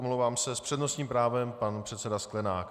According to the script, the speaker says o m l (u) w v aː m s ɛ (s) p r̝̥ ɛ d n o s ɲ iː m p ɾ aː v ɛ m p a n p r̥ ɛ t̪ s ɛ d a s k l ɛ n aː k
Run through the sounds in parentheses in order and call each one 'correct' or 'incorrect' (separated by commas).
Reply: incorrect, correct